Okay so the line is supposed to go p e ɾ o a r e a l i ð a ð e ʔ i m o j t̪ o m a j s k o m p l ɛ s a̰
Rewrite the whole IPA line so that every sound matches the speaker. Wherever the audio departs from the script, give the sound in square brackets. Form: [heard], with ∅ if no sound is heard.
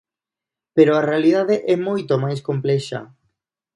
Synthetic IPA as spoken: p e ɾ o a r e a l i ð a ð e ʔ [ɛ] m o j t̪ o m a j s k o m p l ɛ [ʃ] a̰